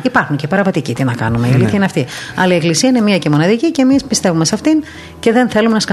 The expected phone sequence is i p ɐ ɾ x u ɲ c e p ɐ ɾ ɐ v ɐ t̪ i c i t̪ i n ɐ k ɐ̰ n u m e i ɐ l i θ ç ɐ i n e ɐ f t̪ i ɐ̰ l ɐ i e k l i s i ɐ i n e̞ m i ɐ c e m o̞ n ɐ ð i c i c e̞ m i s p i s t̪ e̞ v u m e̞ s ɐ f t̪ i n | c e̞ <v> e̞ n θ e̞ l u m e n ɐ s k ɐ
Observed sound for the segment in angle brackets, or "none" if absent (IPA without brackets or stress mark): ð